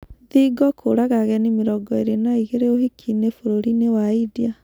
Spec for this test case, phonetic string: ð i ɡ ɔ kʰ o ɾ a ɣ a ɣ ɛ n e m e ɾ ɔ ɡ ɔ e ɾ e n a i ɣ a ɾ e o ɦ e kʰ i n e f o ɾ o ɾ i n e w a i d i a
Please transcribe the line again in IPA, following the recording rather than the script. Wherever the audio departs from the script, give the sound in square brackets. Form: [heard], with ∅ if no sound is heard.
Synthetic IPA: ð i ɡ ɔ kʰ o ɾ a ɣ a ɣ ɛ n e m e ɾ ɔ ɡ ɔ e ɾ e n a i ɣ [e] ɾ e o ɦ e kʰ i n e f o ɾ o ɾ i n e w a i d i a